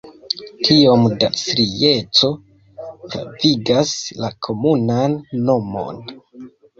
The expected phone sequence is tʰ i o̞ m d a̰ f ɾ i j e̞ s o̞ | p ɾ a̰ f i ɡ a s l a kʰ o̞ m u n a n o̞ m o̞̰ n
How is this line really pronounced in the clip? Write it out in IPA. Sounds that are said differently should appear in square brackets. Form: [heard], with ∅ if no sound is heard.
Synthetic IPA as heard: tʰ i o̞ m d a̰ [s] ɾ i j e̞ [t͡s] o̞ | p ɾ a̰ [v] i ɡ a s l a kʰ o̞ m u n a [nː] o̞ m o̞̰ n